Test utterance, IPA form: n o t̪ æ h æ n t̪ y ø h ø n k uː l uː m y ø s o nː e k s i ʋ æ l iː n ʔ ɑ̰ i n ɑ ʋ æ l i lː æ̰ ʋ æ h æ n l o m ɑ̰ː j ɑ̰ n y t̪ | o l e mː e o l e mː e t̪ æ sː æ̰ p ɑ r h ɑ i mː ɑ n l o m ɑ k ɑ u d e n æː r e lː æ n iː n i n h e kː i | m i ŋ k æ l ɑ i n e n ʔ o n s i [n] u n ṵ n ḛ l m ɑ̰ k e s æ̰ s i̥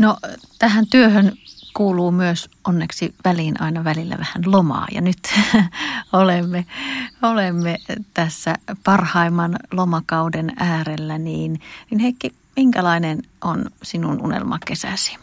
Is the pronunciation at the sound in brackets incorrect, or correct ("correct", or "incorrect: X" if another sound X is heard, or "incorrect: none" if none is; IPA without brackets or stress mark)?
correct